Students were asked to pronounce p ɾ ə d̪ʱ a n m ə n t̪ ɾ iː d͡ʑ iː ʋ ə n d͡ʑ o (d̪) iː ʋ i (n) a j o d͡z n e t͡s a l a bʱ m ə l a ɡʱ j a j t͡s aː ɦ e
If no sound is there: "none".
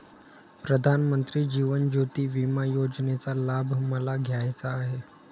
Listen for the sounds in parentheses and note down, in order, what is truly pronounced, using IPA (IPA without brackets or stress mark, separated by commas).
t̪, m